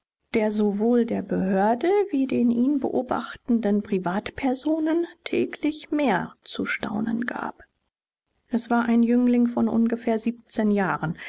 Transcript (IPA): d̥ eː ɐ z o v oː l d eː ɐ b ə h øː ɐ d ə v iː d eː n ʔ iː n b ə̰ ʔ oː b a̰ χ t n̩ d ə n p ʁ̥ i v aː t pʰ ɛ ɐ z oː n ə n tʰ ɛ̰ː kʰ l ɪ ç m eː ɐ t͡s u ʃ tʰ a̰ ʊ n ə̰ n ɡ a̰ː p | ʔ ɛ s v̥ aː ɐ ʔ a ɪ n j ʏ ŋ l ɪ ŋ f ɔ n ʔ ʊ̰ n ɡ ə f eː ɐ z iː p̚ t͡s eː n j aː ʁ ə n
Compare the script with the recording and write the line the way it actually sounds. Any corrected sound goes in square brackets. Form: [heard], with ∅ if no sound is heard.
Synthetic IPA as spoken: d̥ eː ɐ z o v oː l d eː ɐ b ə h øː ɐ d ə v iː d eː n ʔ iː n b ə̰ ʔ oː b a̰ χ t n̩ d ə n p ʁ̥ i v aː t pʰ ɛ ɐ z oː n ə n tʰ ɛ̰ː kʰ l ɪ ç m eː ɐ t͡s u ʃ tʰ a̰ ʊ n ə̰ n ɡ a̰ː p | ʔ ɛ s v̥ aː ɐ ʔ a ɪ n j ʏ ŋ l ɪ ŋ f ɔ n ʔ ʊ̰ n ɡ ə f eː ɐ z iː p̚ t͡s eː n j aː ʁ ə n